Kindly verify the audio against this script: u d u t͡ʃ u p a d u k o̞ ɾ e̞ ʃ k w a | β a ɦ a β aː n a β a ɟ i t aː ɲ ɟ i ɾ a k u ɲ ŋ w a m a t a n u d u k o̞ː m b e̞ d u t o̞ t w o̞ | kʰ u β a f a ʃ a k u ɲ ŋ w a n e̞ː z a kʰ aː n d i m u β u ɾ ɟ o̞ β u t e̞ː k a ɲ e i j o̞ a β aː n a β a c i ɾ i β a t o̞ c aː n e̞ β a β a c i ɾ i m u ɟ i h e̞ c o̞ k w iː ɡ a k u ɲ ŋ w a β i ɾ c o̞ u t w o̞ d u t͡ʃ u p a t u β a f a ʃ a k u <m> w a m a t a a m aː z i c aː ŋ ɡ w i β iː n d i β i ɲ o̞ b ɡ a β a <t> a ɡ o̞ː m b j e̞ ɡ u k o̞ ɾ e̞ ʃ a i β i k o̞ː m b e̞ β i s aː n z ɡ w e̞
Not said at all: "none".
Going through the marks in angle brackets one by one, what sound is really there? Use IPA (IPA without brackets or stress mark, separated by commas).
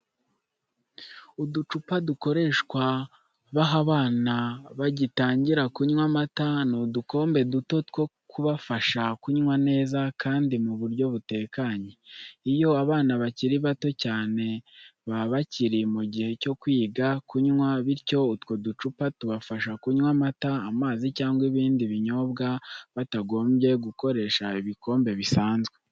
ɲ, t